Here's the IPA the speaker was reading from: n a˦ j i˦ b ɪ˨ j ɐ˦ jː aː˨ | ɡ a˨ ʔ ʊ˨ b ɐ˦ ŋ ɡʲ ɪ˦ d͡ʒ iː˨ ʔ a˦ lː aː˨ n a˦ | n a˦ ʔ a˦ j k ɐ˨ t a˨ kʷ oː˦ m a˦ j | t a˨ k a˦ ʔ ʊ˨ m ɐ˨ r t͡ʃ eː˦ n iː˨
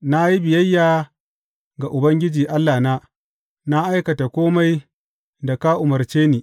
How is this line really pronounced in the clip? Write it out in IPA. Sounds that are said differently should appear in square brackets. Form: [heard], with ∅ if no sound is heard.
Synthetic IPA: n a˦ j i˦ b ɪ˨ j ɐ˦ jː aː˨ | ɡ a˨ ʔ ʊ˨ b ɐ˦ ŋ ɡʲ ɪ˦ d͡ʒ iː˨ ʔ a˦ lː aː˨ n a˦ | n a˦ ʔ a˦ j k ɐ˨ t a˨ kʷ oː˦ m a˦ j | [d] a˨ k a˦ ʔ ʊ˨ m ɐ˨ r t͡ʃ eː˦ n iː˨

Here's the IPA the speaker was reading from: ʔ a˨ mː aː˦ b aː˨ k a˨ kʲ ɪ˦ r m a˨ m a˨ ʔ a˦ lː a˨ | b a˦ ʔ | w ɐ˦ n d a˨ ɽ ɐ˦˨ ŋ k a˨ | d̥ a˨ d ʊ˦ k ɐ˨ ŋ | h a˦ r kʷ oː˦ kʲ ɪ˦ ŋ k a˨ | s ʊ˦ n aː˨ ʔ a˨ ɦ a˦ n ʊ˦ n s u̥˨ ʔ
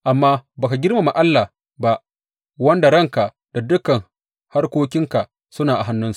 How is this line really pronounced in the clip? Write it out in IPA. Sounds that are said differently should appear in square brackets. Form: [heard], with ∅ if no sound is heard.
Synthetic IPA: ʔ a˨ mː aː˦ b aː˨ k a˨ [ɡʲ] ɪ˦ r m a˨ m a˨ ʔ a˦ lː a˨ | b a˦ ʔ | w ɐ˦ n d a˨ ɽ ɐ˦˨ ŋ k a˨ | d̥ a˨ d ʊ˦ k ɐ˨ ŋ | h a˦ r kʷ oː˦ kʲ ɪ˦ ŋ k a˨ | s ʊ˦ n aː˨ ʔ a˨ ɦ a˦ [nː] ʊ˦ n s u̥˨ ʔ

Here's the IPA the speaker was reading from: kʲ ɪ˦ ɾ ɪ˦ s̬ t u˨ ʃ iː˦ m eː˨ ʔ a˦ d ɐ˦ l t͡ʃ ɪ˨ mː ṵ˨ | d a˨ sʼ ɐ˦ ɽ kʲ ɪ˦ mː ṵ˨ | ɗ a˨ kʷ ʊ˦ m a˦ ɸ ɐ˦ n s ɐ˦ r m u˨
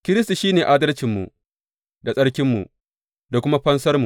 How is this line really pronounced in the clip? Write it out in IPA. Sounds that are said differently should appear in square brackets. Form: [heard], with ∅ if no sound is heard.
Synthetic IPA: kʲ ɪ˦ ɾ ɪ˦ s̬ t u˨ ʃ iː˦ [n] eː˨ ʔ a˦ d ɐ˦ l t͡ʃ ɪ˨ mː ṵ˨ | d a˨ sʼ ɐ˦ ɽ kʲ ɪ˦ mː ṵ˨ | [d] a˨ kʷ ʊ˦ m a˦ ɸ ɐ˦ n s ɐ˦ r m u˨

